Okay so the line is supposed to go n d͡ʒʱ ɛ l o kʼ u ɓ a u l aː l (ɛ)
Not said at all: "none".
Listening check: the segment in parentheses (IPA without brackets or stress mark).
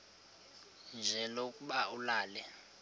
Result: ɛ